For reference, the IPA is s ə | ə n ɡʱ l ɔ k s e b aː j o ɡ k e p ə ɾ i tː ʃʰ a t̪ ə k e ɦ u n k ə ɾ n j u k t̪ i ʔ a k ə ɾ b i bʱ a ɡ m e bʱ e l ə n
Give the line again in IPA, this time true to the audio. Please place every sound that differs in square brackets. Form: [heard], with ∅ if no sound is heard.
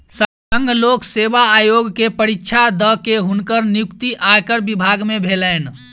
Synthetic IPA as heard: s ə | ə [ŋ] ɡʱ l [o] k s e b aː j o ɡ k e p ə ɾ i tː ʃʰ a [d̪] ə k e ɦ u n k ə ɾ n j u k t̪ i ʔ a k ə ɾ b i bʱ a ɡ m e bʱ e l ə n